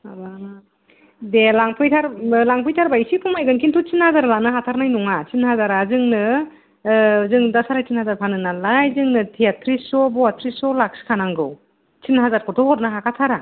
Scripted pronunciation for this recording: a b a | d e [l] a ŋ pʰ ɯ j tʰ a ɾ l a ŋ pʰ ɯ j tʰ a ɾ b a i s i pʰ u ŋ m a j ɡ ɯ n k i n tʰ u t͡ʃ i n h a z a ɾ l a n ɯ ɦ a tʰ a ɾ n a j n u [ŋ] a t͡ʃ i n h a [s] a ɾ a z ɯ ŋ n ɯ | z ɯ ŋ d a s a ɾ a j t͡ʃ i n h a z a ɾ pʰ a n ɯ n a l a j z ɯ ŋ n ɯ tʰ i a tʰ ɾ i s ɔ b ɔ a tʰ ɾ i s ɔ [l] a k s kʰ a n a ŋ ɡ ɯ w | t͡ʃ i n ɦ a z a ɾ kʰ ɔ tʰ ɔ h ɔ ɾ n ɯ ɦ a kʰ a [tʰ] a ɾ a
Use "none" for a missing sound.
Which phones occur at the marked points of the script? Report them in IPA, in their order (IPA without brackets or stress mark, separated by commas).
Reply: l, ŋ, z, l, tʰ